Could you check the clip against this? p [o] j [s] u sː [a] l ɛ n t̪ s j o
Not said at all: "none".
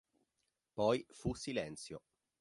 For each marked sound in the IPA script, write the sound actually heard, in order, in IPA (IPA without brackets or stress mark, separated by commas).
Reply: ɔ, f, i